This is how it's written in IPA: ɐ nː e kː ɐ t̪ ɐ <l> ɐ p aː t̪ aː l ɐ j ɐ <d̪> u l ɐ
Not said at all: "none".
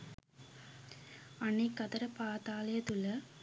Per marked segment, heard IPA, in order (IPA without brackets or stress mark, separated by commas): ɾ, t̪